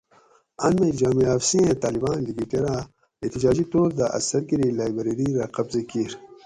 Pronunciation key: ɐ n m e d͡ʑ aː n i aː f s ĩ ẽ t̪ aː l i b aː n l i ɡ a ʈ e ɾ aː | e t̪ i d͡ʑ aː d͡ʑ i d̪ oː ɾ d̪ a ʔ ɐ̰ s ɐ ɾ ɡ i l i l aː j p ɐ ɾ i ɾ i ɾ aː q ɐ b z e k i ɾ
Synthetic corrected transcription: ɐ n m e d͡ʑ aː m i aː f s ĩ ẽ t̪ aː l i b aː n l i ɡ i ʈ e ɾ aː | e t̪ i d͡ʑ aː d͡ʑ i t̪ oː ɾ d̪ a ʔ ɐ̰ s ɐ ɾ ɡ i ɾ i l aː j b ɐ ɾ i ɾ i ɾ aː q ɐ b z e k i ɾ